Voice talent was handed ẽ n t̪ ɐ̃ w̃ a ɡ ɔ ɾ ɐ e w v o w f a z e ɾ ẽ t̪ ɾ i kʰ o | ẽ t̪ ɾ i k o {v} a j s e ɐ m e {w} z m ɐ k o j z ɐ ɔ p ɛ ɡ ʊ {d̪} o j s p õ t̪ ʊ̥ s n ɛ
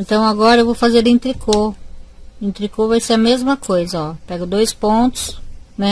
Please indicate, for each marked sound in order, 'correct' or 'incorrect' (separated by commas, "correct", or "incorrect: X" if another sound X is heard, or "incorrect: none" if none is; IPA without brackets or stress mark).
correct, incorrect: none, correct